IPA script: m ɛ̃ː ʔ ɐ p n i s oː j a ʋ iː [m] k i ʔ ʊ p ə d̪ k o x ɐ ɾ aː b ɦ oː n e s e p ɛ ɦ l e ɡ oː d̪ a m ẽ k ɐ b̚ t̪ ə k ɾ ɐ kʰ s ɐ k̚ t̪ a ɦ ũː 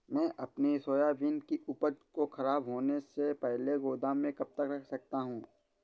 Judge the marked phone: incorrect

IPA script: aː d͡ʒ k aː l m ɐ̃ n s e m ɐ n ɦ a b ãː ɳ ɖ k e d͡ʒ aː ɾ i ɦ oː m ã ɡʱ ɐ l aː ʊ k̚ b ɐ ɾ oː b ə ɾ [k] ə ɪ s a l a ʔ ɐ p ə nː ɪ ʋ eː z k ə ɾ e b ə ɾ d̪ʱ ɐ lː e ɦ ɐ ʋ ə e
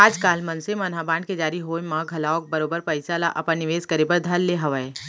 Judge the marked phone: incorrect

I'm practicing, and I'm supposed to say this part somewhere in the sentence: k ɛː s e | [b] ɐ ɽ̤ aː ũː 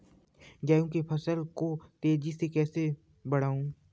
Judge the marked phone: correct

